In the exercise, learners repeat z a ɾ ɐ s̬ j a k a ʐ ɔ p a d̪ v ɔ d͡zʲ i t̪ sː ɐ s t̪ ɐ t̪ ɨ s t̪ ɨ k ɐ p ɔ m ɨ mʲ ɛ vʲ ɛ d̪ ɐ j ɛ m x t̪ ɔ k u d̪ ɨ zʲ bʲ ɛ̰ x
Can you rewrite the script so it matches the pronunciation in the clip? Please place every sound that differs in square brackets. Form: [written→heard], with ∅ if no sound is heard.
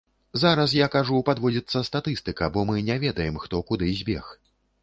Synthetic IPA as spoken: z a ɾ ɐ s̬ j a k a ʐ [ɔ→u] p a d̪ v ɔ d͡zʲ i t̪ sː ɐ s t̪ [ɐ→a] t̪ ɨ s t̪ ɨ k ɐ [p→b] ɔ m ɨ [mʲ→nʲ] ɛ vʲ ɛ d̪ ɐ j ɛ m x t̪ ɔ k u d̪ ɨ zʲ bʲ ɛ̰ x